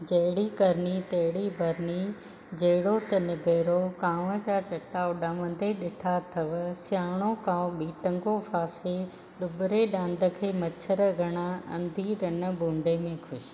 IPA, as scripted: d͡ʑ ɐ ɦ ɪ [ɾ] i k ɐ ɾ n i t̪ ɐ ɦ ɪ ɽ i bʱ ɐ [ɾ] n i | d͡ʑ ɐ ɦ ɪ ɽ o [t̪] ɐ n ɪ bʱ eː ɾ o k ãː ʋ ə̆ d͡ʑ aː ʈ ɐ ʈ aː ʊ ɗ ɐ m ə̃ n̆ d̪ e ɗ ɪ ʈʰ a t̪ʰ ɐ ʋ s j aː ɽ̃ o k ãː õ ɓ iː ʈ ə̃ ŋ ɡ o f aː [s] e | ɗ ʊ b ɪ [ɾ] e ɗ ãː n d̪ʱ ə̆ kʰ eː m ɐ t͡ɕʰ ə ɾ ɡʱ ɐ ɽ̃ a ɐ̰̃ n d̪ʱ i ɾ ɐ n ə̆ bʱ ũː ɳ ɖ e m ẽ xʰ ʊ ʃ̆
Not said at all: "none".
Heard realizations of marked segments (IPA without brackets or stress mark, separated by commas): ɽ, ɾ, t̪, s, ɾ